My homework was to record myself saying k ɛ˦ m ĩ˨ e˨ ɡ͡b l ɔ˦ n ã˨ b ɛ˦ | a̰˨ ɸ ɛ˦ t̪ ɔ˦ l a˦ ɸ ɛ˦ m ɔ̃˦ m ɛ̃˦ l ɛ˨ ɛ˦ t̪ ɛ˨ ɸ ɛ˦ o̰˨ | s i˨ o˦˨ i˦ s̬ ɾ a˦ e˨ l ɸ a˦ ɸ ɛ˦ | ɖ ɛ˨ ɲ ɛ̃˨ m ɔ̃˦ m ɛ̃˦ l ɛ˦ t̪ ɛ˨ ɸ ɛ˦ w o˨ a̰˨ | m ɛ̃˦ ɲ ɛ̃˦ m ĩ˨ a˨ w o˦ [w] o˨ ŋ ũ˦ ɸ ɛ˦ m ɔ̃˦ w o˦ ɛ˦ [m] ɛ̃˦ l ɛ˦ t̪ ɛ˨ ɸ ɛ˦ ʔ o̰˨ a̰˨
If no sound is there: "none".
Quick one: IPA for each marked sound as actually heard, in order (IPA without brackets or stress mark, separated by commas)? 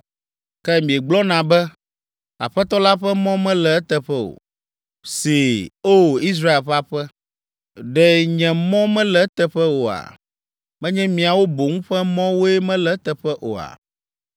b, m